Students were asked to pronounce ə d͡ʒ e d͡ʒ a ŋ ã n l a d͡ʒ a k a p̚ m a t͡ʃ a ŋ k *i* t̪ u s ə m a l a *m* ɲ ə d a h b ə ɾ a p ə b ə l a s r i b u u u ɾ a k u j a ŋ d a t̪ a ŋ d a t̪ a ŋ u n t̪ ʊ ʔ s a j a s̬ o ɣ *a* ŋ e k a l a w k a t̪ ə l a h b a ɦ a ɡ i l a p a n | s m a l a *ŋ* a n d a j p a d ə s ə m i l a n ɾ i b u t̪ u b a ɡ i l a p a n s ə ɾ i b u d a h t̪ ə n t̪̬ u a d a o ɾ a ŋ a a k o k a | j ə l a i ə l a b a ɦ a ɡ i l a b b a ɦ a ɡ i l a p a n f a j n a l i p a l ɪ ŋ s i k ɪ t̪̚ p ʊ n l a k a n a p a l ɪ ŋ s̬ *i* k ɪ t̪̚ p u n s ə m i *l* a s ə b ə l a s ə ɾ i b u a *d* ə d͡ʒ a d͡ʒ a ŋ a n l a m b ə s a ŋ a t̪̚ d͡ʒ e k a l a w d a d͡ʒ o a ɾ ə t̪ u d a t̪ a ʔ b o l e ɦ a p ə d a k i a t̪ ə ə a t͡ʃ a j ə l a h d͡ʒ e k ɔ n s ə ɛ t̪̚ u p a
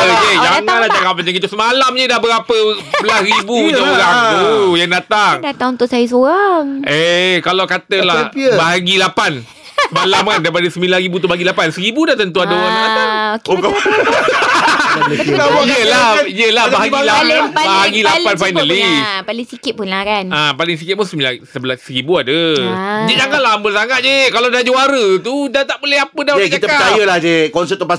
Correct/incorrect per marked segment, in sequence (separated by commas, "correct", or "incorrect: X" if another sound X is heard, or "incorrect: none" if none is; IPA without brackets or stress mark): correct, correct, correct, incorrect: m, correct, correct, correct